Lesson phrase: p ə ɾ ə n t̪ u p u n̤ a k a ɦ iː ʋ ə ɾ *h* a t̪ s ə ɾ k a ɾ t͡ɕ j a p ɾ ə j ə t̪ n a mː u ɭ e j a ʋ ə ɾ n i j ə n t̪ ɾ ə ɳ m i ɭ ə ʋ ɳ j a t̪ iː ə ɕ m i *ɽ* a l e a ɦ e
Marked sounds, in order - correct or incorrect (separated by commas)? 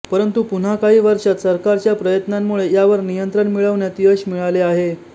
incorrect, incorrect